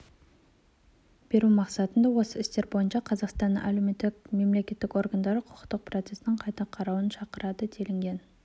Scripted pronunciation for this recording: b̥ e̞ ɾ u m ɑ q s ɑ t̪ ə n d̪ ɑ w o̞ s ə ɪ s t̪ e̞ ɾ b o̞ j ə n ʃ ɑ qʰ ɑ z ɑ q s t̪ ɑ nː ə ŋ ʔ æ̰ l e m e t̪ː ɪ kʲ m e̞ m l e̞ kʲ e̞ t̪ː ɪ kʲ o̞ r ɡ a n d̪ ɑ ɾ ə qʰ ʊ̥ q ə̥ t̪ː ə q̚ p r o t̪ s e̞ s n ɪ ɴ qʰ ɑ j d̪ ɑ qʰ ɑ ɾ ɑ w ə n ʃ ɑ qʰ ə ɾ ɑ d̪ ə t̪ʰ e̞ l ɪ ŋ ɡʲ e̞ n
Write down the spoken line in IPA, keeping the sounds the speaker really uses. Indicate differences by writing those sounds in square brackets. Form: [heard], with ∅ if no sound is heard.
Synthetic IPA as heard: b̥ e̞ ɾ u m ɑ q s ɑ t̪ ə n d̪ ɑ w o̞ s ə ɪ s t̪ e̞ ɾ b o̞ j ə n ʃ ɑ qʰ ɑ z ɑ q s t̪ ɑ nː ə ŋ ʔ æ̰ l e m e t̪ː ɪ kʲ m e̞ m l e̞ kʲ e̞ t̪ː ɪ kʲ o̞ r ɡ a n d̪ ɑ ɾ ə qʰ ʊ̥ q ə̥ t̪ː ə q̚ p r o t̪ s e̞ s n ɪ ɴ qʰ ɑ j [t̪] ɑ qʰ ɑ ɾ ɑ w ə n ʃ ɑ [q] ə ɾ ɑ d̪ ə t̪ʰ e̞ l ɪ ŋ ɡʲ e̞ n